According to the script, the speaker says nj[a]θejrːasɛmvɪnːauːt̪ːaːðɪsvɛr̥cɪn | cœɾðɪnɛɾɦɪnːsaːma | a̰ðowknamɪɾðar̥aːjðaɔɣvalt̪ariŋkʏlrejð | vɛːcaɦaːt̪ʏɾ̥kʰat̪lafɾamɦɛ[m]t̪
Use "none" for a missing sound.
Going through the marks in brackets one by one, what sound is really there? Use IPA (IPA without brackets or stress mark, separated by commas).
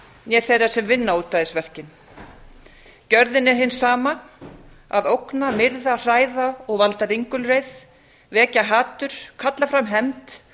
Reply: ɛ, m